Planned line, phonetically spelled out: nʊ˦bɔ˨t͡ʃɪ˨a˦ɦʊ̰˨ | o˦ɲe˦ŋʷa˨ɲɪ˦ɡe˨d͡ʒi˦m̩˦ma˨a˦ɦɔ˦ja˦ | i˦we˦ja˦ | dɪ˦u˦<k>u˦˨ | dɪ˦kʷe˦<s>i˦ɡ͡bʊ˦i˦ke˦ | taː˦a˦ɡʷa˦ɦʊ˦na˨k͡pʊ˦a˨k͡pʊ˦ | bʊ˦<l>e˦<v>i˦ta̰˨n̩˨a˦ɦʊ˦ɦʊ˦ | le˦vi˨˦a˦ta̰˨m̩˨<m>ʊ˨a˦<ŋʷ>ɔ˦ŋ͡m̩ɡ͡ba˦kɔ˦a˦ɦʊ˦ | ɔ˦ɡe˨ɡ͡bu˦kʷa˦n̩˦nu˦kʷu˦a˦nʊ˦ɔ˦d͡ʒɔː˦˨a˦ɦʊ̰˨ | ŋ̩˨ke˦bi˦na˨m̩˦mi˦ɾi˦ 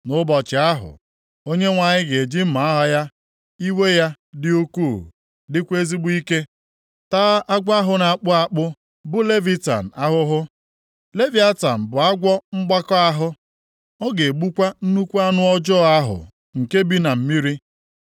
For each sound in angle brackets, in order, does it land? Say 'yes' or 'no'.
yes, no, yes, yes, no, no

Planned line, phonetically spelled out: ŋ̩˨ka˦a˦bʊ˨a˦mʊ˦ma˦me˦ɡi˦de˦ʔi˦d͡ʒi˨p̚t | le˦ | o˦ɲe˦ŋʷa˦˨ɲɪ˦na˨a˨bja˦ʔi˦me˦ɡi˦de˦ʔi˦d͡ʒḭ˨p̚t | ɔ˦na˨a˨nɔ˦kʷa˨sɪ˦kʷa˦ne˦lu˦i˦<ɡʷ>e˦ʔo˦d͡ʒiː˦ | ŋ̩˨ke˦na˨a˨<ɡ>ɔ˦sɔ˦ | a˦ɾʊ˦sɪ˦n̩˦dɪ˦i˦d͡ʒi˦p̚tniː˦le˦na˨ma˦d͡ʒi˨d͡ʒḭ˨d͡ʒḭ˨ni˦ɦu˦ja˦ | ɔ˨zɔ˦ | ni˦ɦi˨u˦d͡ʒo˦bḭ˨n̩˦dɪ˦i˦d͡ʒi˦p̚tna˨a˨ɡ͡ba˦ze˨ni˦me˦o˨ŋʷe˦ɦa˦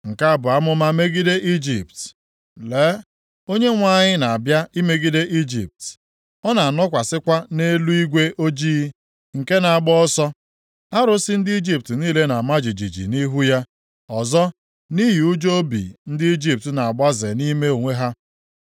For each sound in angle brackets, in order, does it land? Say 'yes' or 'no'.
yes, no

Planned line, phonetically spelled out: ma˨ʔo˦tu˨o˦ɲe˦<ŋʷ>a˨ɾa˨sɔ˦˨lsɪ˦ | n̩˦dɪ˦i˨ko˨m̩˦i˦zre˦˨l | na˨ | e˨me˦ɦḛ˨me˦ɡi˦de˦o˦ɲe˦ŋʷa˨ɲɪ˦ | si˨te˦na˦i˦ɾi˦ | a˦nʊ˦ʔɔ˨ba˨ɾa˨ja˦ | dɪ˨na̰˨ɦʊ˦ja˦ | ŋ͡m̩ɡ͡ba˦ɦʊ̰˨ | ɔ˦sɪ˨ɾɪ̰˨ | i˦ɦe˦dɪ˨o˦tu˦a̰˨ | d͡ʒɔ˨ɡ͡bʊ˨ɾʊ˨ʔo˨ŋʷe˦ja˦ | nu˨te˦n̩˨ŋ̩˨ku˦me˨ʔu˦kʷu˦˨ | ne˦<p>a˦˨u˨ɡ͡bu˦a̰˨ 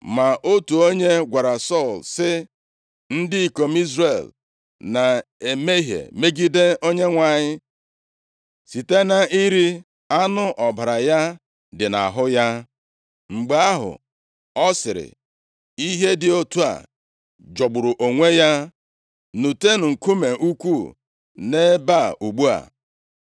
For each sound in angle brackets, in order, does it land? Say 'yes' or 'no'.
no, no

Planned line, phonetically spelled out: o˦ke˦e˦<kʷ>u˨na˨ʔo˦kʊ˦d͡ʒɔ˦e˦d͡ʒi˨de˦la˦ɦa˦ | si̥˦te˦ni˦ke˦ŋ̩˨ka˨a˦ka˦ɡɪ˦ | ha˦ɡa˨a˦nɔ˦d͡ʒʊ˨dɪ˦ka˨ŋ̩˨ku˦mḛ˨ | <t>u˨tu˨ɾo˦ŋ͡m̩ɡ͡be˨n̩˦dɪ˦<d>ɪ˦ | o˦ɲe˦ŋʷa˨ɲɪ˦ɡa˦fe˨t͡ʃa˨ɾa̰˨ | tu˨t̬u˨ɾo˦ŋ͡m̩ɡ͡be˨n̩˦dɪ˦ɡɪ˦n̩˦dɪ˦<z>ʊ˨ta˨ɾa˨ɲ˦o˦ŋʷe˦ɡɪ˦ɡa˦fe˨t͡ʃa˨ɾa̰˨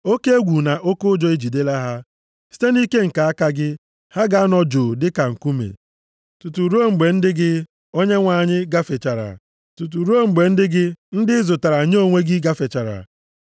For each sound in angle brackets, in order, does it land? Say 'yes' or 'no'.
no, yes, no, yes

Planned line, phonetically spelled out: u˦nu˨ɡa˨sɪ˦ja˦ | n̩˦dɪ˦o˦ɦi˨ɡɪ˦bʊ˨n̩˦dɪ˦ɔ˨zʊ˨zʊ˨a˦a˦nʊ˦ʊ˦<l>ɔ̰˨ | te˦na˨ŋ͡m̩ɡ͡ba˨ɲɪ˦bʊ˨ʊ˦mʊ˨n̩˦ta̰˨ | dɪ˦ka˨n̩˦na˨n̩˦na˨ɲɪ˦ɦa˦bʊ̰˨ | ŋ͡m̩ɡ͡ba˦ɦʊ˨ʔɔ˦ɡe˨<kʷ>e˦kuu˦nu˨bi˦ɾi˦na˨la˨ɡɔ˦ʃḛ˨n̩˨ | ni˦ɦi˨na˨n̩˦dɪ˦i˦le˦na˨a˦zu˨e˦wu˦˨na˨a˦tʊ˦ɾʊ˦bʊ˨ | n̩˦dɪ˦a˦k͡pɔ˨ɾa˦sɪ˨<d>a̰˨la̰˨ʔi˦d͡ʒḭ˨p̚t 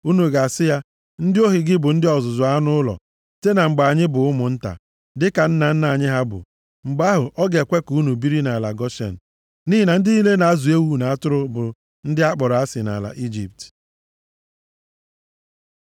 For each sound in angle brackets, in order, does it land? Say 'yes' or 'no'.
yes, yes, no

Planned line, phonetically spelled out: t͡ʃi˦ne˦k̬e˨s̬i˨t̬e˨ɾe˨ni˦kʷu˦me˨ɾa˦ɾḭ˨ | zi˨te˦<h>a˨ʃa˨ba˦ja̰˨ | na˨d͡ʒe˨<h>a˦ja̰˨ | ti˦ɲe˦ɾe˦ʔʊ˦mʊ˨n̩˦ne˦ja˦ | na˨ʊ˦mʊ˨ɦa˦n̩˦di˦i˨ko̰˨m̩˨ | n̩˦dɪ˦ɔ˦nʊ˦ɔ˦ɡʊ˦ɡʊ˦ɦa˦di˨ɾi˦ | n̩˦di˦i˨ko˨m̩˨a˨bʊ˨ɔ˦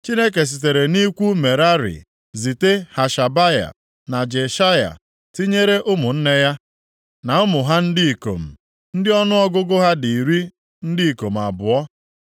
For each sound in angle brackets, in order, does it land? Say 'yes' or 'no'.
yes, no

